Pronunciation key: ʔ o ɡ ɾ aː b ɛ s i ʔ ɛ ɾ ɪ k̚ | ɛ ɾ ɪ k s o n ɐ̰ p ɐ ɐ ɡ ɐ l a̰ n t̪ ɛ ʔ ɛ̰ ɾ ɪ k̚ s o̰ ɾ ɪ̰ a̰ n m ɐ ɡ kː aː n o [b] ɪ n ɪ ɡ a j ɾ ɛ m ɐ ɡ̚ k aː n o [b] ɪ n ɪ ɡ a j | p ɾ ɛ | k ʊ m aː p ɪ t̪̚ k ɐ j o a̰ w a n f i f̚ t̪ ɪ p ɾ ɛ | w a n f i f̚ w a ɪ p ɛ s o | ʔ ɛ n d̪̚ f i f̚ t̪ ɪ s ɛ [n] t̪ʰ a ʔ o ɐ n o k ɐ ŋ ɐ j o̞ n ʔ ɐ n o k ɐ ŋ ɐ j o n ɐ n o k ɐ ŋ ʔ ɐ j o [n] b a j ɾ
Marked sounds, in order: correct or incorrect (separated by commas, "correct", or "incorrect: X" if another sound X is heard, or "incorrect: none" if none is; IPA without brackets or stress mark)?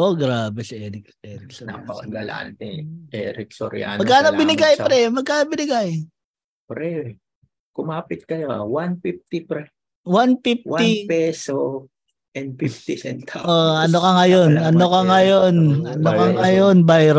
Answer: correct, correct, correct, correct